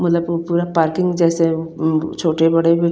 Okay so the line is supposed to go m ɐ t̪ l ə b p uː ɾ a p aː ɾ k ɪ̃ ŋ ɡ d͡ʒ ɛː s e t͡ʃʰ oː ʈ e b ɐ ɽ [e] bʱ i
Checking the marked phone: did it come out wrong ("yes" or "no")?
no